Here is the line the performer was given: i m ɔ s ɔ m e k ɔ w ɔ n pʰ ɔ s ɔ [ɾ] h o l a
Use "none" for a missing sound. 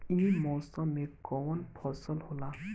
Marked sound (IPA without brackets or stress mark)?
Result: l